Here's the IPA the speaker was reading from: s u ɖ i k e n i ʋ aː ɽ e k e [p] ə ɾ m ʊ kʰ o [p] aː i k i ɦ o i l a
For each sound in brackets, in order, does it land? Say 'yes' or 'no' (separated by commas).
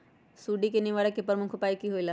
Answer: yes, yes